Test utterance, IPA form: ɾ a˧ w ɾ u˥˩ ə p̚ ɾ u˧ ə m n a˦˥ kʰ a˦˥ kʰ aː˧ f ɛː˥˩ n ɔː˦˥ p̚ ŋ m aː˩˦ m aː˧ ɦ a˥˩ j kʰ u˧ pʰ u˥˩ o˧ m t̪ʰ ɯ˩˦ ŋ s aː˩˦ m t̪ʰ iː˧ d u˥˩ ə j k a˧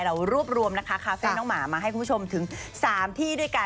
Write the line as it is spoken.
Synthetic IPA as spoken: ɾ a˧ w ɾ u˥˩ ə p̚ ɾ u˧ ə m n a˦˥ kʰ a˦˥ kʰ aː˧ f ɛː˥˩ n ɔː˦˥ ŋ m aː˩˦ m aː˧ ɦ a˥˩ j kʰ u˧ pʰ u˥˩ o˧ m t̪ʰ ɯ˩˦ ŋ s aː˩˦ m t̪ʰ iː˥˩ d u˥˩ ə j k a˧